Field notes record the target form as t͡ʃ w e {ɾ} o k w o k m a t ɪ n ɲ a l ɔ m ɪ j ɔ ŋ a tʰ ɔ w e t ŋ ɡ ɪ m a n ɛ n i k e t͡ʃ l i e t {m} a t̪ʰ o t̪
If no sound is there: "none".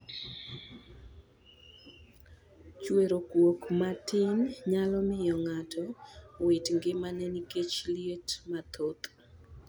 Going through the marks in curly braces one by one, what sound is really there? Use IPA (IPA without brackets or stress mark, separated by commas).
ɾ, m